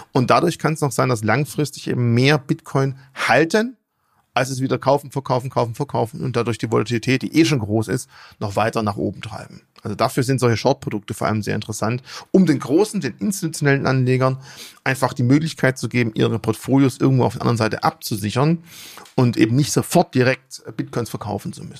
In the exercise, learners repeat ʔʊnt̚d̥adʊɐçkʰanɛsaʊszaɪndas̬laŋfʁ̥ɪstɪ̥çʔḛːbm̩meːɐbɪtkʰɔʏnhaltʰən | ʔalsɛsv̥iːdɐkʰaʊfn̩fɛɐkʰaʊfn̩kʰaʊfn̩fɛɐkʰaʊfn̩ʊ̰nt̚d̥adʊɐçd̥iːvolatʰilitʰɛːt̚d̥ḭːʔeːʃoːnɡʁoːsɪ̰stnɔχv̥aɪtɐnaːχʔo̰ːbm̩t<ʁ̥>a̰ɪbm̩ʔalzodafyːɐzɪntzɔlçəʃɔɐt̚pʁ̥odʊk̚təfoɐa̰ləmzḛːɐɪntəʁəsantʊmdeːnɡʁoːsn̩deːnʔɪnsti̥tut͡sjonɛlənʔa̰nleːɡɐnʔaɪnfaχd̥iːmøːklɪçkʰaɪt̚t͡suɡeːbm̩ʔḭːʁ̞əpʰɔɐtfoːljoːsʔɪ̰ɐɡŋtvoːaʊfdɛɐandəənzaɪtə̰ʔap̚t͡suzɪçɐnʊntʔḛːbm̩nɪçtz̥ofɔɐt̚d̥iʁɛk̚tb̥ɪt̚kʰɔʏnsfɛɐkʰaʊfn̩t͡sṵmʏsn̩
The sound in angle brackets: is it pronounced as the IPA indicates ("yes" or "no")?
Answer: yes